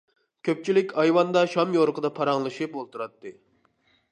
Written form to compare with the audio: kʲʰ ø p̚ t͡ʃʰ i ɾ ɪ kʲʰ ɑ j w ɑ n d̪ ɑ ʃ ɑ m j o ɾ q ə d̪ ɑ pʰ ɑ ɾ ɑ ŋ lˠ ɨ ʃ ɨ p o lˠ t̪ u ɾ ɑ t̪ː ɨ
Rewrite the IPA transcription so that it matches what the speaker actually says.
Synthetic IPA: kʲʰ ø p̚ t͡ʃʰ i l ɪ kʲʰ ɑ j w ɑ n d̪ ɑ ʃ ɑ m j o ɾ q ə d̪ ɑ pʰ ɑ ɾ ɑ ŋ lˠ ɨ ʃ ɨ p o lˠ t̪ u ɾ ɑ t̪ː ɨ

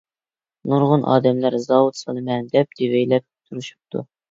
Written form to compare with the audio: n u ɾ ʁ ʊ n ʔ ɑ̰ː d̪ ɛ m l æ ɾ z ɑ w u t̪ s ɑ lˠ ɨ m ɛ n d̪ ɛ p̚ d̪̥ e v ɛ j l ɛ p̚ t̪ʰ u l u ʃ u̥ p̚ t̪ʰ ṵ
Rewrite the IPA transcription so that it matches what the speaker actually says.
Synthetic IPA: n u ɾ ʁ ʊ n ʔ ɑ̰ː d̪ ɛ m l æ ɾ z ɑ w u t̪ s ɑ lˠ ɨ m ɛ n d̪ ɛ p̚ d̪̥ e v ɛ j l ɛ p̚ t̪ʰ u ɾ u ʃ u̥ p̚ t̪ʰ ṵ

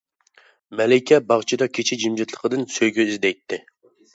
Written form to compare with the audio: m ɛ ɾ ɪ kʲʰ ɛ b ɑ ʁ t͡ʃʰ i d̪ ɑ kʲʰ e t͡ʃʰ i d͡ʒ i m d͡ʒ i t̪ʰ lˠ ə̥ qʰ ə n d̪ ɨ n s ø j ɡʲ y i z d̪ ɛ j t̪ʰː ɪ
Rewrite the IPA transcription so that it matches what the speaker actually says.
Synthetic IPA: m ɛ l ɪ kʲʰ ɛ b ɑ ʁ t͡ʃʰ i d̪ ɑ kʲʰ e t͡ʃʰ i d͡ʒ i m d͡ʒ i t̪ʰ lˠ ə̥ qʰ ə d̪ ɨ n s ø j ɡʲ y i z d̪ ɛ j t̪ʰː ɪ

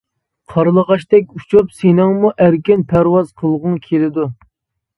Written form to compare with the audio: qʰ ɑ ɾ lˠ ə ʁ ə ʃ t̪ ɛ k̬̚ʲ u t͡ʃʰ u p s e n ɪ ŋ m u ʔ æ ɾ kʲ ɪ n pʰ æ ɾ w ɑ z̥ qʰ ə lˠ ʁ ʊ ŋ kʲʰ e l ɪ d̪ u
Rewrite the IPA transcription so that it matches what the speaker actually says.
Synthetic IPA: qʰ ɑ ɾ lˠ ə ʁ ɑ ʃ t̪ ɛ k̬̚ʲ u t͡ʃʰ u p s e n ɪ ŋ m u ʔ æ ɾ kʲ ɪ n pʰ æ ɾ w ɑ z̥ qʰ ə lˠ ʁ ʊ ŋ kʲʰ e l ɪ d̪ u

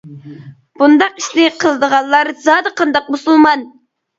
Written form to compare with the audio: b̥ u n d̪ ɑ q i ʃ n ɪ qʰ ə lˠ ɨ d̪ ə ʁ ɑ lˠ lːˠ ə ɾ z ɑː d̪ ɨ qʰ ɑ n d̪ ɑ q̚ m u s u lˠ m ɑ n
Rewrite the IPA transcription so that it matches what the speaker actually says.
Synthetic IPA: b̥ u n d̪ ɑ q i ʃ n ɪ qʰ ə lˠ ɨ d̪ ə ʁ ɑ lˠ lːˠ ɑ ɾ z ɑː d̪ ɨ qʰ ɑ n d̪ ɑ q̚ m u s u lˠ m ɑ n

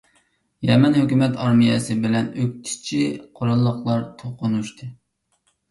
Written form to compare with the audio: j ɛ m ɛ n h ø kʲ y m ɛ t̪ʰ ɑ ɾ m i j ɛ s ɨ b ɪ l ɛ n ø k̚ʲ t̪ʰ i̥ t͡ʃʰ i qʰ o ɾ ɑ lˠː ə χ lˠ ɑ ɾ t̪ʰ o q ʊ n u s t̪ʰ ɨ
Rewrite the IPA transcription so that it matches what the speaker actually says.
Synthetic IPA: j ɛ m ɛ n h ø kʲ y m ɛ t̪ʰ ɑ ɾ m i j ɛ s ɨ b ɪ l ɛ n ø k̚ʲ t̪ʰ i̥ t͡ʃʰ i qʰ o ɾ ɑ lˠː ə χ lˠ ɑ ɾ t̪ʰ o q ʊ n u ʃ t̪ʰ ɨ

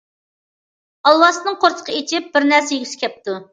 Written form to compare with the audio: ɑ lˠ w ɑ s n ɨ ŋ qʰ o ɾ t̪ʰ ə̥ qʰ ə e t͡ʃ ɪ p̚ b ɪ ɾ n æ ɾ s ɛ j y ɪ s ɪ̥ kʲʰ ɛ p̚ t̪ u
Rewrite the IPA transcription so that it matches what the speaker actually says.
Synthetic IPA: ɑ lˠ w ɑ s n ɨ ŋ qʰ o ɾ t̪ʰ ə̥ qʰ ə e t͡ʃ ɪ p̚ b ɪ ɾ n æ ɾ s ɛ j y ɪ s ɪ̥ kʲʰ ɛ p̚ t̪ u

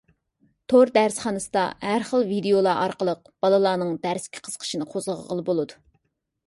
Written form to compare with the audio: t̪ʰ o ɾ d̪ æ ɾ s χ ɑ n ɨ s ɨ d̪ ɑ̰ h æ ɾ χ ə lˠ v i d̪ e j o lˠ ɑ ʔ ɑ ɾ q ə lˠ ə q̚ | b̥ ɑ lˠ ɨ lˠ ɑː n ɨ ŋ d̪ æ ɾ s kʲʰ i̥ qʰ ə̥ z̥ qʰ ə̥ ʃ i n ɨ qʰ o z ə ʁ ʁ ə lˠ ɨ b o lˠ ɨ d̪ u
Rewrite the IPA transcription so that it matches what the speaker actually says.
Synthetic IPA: t̪ʰ o ɾ d̪ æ ɾ s χ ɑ n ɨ s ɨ d̪ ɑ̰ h æ ɾ χ ə lˠ v i d̪ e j o lˠ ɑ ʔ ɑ ɾ q ə lˠ ə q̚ | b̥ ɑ lˠ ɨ lˠ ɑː n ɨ ŋ d̪ æ ɾ s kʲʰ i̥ qʰ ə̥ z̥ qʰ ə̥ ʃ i n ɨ qʰ o z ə ʁ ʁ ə lˠ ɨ b o lˠ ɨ d̪ u

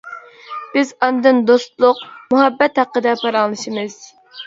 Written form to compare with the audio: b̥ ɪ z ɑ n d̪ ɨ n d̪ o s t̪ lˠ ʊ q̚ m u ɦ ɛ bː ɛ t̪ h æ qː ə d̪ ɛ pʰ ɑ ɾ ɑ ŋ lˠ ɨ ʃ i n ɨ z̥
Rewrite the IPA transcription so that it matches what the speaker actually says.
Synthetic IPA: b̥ ɪ z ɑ n d̪ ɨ n d̪ o s t̪ lˠ ʊ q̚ m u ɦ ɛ bː ɛ t̪ h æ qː ə d̪ ɛ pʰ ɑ ɾ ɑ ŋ lˠ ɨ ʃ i m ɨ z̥

